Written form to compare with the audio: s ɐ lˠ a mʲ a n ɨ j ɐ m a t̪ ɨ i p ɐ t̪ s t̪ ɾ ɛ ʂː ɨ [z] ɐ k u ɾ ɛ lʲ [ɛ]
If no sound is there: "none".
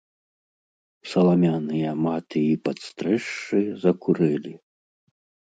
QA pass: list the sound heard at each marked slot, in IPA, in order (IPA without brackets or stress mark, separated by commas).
z, i